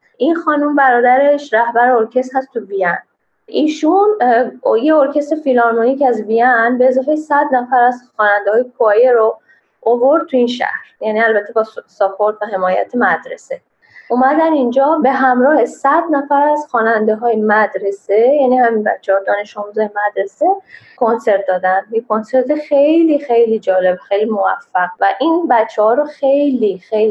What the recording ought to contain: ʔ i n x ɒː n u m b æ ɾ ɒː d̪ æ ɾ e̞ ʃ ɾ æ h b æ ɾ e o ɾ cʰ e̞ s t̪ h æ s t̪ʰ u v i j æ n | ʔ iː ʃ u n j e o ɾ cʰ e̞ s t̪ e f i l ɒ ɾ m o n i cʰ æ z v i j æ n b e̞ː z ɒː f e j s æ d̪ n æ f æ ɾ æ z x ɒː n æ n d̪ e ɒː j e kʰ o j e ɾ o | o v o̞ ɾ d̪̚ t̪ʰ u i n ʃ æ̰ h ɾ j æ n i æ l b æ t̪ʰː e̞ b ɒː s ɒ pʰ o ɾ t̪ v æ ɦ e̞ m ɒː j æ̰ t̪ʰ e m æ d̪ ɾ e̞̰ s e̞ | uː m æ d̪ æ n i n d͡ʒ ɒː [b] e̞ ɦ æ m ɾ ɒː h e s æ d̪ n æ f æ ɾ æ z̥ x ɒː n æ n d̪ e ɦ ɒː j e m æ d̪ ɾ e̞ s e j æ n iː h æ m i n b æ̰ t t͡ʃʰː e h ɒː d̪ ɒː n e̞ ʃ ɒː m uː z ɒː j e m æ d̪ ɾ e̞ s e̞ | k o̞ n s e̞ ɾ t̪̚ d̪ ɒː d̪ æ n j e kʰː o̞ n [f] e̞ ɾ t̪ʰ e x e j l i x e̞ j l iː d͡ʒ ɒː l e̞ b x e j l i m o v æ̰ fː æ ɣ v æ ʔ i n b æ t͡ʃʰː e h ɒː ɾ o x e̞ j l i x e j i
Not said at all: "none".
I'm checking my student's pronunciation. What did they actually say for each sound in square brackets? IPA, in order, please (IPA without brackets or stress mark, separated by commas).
b, s